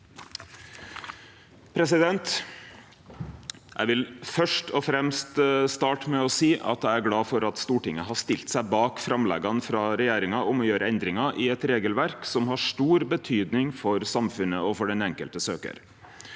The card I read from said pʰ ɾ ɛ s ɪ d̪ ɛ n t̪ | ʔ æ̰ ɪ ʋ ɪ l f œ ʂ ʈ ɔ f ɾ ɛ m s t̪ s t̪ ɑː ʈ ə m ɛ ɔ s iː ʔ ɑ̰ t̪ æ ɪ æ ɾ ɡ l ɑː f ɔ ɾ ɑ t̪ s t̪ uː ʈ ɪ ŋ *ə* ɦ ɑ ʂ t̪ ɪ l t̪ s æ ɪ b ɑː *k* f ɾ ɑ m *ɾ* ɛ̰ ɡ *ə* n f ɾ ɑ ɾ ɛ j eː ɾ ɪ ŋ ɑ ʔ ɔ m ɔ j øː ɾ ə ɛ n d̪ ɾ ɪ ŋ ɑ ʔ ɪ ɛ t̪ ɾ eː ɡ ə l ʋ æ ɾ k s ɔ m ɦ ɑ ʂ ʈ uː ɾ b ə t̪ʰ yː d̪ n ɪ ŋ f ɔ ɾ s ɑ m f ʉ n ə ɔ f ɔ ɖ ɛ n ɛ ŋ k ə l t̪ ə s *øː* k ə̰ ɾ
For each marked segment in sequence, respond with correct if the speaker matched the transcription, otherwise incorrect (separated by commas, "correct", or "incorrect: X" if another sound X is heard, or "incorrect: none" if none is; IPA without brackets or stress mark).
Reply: correct, correct, incorrect: l, incorrect: ɑ, correct